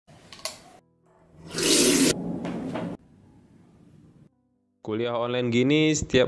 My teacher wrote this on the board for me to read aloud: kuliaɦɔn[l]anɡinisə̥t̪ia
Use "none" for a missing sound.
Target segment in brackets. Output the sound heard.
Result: l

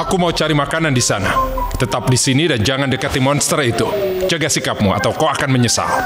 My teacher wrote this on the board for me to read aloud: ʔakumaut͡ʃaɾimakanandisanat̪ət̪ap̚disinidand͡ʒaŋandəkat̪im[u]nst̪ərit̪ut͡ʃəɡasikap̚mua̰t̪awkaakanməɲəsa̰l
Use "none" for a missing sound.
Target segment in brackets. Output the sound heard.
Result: ɔ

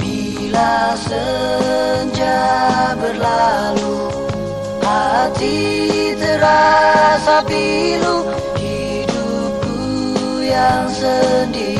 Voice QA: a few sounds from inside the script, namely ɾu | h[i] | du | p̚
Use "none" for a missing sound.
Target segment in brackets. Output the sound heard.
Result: i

